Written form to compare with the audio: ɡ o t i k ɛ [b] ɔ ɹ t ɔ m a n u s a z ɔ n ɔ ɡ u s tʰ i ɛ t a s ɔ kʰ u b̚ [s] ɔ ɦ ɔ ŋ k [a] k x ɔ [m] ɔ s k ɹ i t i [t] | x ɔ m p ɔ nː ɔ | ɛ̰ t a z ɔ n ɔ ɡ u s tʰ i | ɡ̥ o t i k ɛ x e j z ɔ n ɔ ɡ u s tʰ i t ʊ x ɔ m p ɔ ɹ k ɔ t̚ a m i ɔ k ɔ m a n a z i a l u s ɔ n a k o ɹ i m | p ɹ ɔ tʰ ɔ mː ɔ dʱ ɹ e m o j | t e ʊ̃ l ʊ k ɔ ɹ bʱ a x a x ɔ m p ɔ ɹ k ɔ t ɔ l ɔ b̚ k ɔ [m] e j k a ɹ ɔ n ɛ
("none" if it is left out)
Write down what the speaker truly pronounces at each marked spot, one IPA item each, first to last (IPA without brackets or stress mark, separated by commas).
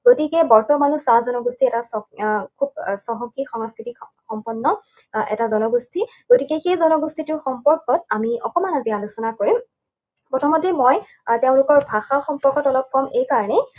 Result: b, s, i, ŋ, k, m